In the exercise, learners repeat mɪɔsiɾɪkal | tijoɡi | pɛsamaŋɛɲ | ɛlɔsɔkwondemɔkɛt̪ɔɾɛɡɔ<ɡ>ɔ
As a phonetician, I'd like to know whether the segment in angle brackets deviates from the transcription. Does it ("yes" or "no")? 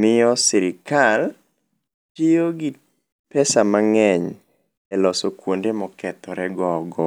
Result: no